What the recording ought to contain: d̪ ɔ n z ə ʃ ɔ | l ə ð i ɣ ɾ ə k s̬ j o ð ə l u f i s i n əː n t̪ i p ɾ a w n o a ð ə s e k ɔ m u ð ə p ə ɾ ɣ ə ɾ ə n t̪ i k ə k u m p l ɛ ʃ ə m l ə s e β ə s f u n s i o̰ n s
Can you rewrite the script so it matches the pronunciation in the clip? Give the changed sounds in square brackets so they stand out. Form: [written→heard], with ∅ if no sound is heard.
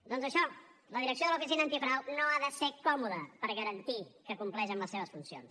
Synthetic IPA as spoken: d̪ ɔ n z ə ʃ ɔ | l ə ð i [ɣ→∅] ɾ ə k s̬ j o ð ə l u f i s i n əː n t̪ i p ɾ a w n o a ð ə s e k ɔ m u ð ə p ə ɾ ɣ ə ɾ ə n t̪ i k ə k u m p l ɛ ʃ ə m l ə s e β ə s f u n s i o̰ n s